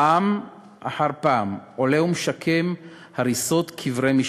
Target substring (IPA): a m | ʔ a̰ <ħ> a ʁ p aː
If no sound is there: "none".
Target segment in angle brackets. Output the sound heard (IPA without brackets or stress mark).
ħ